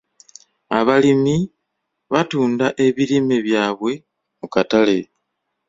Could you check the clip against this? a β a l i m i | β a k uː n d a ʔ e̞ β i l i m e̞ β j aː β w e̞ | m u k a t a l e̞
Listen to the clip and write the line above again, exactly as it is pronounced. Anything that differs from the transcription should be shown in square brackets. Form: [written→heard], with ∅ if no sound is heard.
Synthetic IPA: a β a l i m i | β a [k→t] uː n d a ʔ e̞ β i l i m e̞ β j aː β w e̞ | m u k a t a l e̞